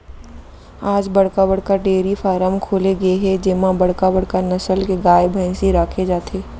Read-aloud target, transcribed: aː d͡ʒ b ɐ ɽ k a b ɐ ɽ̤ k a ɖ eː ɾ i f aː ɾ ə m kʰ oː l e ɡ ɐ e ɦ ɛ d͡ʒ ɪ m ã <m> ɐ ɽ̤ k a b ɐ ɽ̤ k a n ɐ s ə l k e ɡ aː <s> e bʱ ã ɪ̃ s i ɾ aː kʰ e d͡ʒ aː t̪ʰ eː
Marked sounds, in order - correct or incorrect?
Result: incorrect, incorrect

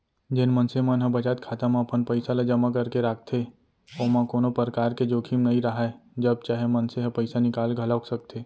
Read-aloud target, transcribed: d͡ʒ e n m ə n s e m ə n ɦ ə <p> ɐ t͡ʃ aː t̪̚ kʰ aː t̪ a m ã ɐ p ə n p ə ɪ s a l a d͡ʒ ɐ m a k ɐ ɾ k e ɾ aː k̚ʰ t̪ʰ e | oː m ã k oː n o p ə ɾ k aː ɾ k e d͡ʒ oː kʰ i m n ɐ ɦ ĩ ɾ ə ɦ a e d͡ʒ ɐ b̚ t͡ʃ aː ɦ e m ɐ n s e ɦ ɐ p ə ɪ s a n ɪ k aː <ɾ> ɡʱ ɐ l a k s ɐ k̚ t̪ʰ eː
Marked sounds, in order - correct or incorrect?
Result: incorrect, incorrect

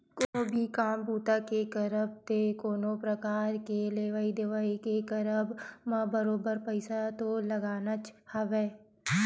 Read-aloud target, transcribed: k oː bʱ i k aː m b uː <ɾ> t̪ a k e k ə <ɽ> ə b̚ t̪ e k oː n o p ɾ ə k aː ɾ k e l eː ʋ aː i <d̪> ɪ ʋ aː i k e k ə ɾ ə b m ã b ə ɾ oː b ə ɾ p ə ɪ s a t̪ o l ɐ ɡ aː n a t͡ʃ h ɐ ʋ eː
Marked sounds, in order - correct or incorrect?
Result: incorrect, incorrect, correct

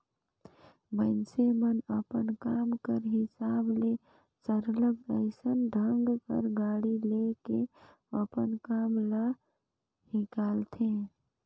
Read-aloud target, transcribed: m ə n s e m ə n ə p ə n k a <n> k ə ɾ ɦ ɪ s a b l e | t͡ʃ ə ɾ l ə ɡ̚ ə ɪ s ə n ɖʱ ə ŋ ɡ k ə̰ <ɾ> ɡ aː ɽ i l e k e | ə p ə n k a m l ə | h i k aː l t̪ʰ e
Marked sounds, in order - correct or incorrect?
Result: incorrect, correct

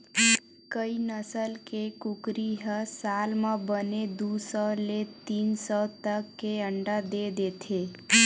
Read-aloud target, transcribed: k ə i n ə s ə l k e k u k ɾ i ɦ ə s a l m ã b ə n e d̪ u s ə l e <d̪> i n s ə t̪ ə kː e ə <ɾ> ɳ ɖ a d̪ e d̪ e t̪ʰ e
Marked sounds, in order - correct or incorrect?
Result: incorrect, incorrect

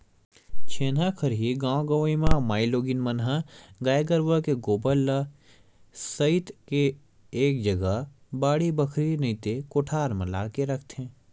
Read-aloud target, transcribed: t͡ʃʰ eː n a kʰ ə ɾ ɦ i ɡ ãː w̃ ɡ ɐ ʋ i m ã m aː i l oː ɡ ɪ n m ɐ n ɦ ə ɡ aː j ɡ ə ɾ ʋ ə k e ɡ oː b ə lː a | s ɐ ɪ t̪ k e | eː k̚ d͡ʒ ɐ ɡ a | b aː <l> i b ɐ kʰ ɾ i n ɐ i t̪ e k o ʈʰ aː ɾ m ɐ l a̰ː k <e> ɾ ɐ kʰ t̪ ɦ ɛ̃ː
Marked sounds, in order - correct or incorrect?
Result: incorrect, correct

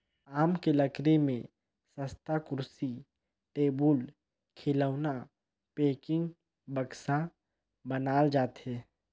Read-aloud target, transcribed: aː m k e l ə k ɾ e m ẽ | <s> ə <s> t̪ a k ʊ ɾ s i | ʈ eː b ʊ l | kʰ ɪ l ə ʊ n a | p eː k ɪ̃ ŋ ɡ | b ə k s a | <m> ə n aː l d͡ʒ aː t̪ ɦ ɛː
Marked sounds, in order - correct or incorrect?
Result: correct, correct, incorrect

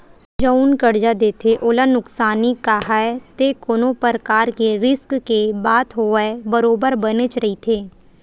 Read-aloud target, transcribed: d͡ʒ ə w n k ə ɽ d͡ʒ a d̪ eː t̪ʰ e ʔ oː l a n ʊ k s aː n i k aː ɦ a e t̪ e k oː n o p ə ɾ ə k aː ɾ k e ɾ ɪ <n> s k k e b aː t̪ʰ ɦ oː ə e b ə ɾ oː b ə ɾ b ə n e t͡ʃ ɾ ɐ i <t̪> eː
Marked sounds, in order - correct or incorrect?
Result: incorrect, incorrect

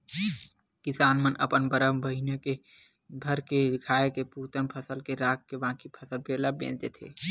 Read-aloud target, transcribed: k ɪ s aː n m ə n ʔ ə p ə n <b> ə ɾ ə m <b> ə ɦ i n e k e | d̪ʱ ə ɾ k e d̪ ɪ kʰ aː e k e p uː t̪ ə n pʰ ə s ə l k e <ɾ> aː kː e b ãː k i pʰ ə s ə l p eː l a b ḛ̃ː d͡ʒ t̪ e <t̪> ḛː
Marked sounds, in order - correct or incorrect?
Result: correct, correct, correct, incorrect

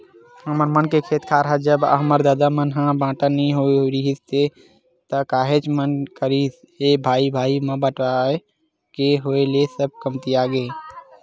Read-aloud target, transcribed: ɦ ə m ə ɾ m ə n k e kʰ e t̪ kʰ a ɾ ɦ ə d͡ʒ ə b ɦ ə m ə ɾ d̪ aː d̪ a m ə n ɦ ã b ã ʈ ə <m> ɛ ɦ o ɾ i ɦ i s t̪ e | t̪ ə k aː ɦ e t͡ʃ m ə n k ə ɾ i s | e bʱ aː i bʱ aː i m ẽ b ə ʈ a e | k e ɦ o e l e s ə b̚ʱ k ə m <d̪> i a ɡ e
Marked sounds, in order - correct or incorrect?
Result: incorrect, incorrect

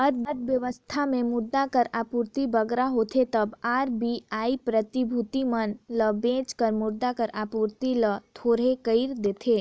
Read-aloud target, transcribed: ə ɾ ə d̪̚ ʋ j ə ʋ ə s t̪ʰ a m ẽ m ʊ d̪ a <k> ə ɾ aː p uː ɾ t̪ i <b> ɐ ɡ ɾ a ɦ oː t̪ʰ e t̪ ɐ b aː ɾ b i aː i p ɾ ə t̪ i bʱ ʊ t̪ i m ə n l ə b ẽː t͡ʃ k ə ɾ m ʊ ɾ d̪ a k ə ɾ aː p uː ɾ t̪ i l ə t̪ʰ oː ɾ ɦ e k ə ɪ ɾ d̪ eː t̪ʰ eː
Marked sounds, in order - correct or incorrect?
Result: correct, correct

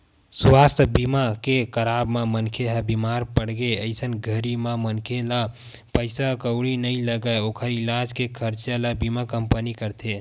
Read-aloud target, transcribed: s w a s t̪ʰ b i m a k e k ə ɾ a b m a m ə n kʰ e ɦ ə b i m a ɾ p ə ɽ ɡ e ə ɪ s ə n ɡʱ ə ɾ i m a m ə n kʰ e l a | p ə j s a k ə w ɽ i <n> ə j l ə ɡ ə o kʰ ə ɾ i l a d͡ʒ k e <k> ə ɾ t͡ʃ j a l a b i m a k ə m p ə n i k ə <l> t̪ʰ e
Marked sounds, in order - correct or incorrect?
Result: correct, incorrect, incorrect

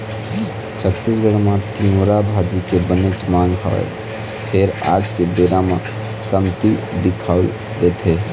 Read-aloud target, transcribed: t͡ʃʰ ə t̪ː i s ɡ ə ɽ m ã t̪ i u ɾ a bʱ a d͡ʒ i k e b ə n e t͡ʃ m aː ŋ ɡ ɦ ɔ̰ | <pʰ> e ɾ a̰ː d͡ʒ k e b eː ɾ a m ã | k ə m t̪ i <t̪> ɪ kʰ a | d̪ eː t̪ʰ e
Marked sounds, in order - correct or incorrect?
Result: correct, incorrect

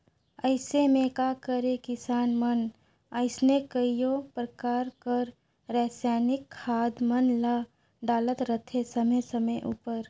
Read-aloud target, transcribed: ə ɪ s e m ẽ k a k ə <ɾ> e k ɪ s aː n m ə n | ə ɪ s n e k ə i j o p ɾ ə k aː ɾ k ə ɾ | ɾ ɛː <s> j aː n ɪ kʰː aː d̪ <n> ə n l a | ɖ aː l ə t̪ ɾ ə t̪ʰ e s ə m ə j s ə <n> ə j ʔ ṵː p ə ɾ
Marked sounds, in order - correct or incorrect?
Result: correct, correct, incorrect, incorrect

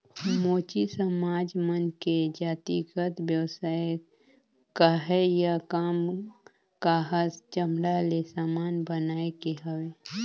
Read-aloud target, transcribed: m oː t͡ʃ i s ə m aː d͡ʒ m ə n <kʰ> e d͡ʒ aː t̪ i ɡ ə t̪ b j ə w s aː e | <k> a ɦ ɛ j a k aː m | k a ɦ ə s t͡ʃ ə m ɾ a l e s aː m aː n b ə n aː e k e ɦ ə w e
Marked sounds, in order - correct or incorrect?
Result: incorrect, correct

